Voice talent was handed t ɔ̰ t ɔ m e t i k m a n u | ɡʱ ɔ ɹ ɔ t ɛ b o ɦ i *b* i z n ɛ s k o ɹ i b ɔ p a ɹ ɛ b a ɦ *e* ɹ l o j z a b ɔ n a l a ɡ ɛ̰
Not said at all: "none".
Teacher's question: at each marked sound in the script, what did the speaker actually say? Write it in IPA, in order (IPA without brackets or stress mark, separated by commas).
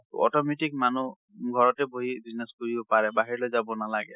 b, i